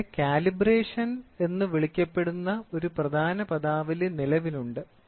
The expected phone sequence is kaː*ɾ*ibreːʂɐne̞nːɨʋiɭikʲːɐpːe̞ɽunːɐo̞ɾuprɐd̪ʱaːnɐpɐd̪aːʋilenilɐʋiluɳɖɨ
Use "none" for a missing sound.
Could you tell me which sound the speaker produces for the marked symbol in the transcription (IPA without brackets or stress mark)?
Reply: l